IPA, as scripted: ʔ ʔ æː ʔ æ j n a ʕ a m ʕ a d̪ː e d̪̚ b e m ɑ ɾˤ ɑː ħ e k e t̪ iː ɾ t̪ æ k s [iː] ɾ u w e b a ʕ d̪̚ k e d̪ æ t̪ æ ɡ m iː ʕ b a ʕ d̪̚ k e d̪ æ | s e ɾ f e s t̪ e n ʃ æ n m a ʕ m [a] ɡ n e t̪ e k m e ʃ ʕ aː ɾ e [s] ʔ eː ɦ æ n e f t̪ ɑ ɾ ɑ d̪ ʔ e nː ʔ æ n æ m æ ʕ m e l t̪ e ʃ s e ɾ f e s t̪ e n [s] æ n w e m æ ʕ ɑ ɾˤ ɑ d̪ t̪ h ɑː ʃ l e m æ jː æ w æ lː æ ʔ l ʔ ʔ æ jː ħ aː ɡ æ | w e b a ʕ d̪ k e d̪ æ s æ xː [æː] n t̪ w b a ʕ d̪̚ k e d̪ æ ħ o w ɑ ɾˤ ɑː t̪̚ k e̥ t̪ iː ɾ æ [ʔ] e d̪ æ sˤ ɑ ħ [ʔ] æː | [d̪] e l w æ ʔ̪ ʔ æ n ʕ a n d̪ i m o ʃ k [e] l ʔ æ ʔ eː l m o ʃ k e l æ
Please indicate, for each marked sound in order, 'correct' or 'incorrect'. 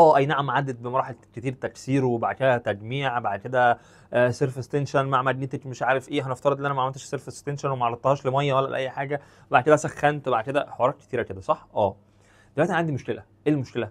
correct, incorrect: æ, incorrect: f, incorrect: ʃ, incorrect: æ, incorrect: k, correct, correct, correct

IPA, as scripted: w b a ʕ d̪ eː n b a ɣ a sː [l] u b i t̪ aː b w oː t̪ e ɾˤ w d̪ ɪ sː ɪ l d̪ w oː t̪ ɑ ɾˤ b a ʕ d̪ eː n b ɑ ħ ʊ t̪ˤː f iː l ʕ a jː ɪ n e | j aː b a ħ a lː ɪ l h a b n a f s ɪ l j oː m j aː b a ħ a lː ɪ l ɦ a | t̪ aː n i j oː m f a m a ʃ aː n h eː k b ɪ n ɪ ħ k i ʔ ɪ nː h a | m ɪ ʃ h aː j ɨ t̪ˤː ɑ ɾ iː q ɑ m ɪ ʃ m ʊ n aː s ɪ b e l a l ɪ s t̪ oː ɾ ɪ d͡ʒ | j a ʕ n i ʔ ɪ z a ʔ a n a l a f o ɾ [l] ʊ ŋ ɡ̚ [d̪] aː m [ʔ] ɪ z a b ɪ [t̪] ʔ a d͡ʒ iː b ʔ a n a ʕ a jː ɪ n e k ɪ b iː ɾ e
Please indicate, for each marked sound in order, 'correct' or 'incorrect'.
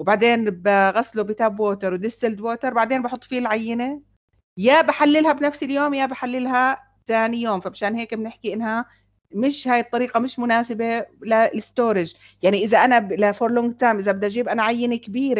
correct, correct, incorrect: t̪, correct, incorrect: d̪

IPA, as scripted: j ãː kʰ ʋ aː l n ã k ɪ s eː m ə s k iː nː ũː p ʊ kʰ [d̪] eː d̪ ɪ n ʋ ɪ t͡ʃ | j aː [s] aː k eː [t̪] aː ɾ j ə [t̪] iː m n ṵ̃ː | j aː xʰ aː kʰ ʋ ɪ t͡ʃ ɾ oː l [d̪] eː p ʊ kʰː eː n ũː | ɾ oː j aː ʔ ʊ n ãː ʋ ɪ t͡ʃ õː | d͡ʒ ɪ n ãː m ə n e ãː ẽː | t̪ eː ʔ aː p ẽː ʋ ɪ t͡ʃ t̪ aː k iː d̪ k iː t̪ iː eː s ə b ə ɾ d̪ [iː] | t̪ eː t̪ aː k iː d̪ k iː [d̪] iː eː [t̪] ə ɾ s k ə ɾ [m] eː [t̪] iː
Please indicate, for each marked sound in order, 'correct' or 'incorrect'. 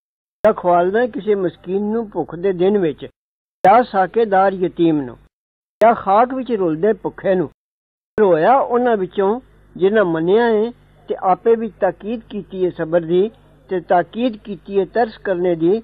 correct, correct, incorrect: d̪, correct, correct, correct, incorrect: t̪, correct, incorrect: n, incorrect: d̪

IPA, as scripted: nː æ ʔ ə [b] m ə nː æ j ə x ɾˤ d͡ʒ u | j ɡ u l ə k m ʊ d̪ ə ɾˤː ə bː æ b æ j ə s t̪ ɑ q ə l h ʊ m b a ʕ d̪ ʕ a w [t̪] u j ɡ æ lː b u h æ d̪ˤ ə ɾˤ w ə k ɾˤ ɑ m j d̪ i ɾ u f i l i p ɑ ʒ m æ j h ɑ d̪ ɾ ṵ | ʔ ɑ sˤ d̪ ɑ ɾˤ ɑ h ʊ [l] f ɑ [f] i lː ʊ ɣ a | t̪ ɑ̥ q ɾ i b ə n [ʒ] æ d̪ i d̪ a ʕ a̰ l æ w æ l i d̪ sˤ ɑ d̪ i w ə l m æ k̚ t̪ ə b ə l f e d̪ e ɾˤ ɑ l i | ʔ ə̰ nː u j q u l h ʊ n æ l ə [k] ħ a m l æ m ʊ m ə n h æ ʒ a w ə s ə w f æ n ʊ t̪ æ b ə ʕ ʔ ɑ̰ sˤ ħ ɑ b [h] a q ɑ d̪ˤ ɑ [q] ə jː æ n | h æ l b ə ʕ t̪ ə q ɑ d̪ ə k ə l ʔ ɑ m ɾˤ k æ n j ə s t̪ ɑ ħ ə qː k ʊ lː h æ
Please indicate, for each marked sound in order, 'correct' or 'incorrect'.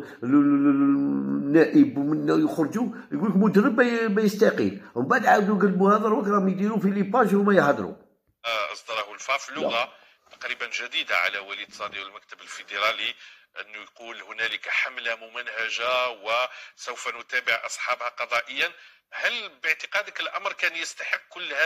correct, incorrect: d̪, correct, correct, correct, correct, correct, incorrect: ʔ

